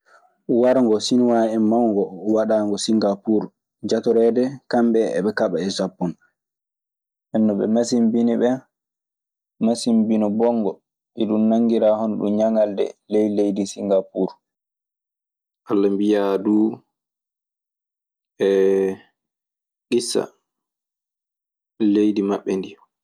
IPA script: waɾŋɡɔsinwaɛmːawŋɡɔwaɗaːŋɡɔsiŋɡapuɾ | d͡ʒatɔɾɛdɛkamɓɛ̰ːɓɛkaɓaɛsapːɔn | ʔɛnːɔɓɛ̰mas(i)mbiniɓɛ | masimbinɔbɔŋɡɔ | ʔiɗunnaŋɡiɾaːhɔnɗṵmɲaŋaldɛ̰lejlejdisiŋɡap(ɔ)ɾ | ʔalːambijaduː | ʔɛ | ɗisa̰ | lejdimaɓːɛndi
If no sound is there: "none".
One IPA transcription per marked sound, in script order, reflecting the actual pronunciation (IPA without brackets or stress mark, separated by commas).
i, u